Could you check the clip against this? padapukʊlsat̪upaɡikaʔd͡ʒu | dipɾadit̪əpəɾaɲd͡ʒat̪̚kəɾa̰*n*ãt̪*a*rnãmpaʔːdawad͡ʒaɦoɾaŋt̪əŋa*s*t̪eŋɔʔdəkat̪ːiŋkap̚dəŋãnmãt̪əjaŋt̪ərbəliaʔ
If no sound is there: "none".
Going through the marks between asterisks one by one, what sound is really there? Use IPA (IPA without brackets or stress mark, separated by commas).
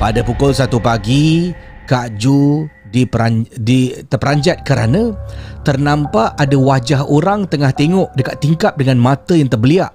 n, ə, h